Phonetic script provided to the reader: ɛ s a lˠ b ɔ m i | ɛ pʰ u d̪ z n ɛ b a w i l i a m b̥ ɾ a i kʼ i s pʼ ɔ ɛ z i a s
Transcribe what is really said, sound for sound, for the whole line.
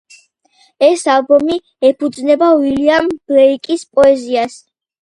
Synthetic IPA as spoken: ɛ s a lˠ b ɔ m i | ɛ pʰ u d̪ z n ɛ b a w i l i a m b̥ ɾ ɛ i kʼ i s pʼ ɔ ɛ z i a s